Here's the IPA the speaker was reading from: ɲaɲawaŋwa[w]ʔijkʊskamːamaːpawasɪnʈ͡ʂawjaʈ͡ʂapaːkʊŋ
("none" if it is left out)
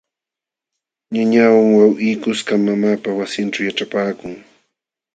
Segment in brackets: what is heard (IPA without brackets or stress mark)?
w